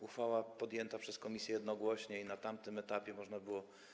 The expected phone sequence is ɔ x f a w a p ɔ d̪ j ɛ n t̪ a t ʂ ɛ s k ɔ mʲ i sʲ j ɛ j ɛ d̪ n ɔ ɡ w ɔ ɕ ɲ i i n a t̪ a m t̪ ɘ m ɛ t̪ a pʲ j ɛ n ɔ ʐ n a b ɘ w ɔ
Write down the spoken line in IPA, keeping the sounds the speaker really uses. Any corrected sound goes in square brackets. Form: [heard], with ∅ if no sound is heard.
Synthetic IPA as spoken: [u] x f a w a p ɔ d̪ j ɛ n t̪ a [p] ʂ ɛ s k ɔ mʲ i sʲ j ɛ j ɛ d̪ n ɔ ɡ w ɔ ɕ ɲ [ɛ] i n a t̪ a m t̪ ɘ m ɛ t̪ a pʲ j ɛ [m] ɔ ʐ n a b ɘ w ɔ

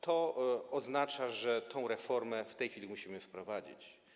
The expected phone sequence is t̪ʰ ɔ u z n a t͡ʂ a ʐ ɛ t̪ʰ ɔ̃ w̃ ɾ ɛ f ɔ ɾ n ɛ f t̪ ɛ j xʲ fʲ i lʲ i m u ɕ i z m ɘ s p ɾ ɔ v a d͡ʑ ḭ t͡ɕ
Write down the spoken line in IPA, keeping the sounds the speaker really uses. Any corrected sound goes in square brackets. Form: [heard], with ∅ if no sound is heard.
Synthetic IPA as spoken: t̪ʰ ɔ [ɔ] z n a t͡ʂ a ʐ ɛ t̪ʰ ɔ̃ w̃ ɾ ɛ f ɔ ɾ [m] ɛ f t̪ ɛ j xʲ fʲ i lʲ i m u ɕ i [∅] m ɘ [f] p ɾ ɔ v a d͡ʑ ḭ t͡ɕ

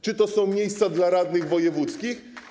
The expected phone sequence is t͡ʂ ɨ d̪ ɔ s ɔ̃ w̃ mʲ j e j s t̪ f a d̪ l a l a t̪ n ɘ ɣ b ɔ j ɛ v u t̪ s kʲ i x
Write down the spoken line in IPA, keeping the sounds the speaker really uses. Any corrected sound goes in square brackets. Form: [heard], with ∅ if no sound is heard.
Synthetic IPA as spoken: t͡ʂ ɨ [t̪] ɔ s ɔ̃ w̃ mʲ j e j s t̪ [s] a d̪ l a [ɾ] a [d̪] n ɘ ɣ [v] ɔ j ɛ v u t̪ s kʲ i x

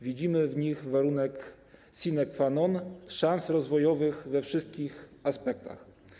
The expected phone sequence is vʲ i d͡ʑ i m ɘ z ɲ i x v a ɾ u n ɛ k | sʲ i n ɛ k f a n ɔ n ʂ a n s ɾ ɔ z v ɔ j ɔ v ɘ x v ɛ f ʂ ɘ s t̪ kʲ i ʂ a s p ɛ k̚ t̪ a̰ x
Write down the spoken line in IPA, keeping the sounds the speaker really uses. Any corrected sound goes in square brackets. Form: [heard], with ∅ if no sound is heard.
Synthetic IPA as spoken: vʲ i d͡ʑ i m ɘ [v] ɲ i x v a ɾ u n ɛ k | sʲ i n ɛ k f a n ɔ n ʂ a n s ɾ ɔ z v ɔ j ɔ v ɘ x v ɛ f ʂ ɘ s t̪ kʲ i [x] a s p ɛ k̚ t̪ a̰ x

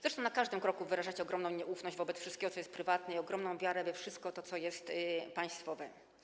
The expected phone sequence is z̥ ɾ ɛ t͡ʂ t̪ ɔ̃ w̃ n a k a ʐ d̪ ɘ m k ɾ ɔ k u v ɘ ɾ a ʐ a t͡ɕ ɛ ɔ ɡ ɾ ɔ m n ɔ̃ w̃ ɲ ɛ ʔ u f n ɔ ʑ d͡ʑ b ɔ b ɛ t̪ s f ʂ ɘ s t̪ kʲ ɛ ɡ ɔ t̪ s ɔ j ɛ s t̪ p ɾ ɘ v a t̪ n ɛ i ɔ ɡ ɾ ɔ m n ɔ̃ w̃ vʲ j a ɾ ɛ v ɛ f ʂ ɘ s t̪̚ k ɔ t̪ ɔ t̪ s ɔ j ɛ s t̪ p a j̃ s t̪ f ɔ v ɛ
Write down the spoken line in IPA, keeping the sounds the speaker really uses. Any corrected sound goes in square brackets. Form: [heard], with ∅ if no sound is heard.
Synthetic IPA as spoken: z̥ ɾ ɛ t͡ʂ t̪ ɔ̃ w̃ n a k a ʐ d̪ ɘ m k ɾ ɔ k u v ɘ ɾ a ʐ a t͡ɕ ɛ ɔ ɡ ɾ ɔ m n ɔ̃ w̃ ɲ ɛ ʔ u f n ɔ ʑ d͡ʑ [v] ɔ b ɛ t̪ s f ʂ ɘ s t̪ kʲ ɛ ɡ ɔ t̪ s ɔ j ɛ s t̪ p ɾ ɘ v a t̪ n ɛ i ɔ ɡ ɾ ɔ m n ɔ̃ w̃ vʲ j a ɾ ɛ v ɛ f ʂ ɘ s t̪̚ k ɔ t̪ ɔ t̪ s ɔ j ɛ s t̪ p a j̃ s t̪ f ɔ v ɛ

